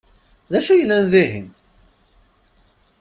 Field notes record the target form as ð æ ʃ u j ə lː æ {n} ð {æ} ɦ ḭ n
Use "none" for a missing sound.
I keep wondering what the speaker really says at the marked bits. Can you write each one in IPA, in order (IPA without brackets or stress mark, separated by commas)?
n, i